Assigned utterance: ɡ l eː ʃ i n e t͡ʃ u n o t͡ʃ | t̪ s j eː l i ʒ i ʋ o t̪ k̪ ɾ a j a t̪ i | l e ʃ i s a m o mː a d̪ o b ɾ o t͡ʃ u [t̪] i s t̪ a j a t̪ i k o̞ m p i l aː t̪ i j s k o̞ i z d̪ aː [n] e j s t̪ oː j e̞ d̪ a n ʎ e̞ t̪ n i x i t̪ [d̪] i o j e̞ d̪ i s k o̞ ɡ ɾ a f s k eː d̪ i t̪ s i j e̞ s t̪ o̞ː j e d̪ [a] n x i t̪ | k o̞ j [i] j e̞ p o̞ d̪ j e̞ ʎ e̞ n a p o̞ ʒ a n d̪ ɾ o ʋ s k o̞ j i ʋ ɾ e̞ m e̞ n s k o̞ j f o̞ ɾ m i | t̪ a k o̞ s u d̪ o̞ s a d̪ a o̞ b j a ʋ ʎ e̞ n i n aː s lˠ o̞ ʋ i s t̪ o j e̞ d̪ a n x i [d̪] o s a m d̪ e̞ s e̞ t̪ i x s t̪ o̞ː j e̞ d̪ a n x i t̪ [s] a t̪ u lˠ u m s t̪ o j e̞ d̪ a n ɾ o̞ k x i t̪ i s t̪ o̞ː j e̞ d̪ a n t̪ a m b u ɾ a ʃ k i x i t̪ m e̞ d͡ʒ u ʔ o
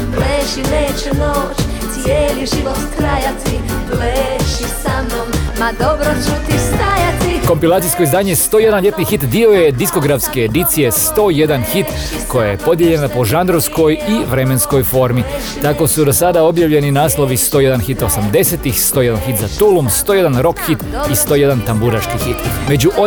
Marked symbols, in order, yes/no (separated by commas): yes, no, yes, yes, no, no, no